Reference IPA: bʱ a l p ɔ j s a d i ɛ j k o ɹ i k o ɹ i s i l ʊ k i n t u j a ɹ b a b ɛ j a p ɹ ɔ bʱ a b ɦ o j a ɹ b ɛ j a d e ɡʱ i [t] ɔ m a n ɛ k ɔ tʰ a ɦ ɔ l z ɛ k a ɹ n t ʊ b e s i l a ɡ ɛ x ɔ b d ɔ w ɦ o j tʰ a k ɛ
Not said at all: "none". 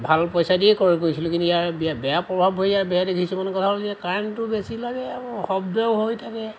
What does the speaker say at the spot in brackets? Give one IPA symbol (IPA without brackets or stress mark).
s